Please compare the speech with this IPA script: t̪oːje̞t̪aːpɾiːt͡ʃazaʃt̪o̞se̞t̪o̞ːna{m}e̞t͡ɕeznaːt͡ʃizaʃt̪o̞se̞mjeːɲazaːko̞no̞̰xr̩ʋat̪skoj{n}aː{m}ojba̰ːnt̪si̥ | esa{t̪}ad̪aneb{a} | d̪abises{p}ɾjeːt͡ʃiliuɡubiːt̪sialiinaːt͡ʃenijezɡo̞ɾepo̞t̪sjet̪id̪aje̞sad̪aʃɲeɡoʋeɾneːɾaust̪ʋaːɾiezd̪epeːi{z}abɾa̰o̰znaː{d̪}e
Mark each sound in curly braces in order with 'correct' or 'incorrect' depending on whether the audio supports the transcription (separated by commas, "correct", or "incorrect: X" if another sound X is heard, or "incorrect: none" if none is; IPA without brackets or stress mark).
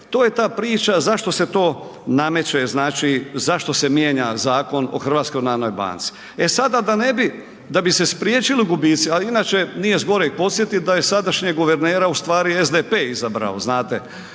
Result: correct, correct, incorrect: n, incorrect: d̪, incorrect: i, correct, correct, incorrect: t̪